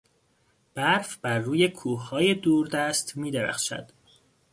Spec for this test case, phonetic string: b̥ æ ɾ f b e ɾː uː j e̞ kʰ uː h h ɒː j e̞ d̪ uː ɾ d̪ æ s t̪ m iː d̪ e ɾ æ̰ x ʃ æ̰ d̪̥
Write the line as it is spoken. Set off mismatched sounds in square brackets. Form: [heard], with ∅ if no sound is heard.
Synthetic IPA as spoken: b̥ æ ɾ f b [æ] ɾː uː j e̞ kʰ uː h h ɒː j e̞ d̪ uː ɾ d̪ æ s t̪ m iː d̪ e ɾ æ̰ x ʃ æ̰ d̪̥